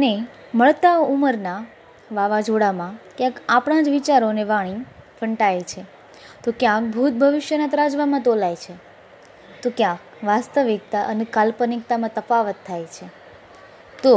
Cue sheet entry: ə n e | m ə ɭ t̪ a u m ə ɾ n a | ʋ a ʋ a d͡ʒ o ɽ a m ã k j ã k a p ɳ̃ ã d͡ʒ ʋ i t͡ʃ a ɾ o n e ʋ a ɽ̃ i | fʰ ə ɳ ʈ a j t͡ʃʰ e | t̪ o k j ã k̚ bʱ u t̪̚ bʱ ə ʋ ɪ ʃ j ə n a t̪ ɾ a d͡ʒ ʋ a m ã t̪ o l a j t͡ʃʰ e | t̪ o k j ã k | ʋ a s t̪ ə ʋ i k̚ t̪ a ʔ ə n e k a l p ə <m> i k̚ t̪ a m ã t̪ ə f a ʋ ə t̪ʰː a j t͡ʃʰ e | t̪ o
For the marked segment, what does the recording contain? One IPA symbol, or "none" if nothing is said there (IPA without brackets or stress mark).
n